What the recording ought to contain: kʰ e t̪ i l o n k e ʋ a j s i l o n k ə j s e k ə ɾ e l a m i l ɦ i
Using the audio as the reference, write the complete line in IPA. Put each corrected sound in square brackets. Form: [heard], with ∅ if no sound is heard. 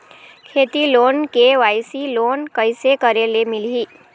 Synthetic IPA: kʰ e t̪ i l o n k e ʋ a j s i l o n k ə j s e k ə ɾ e l [e] m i l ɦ i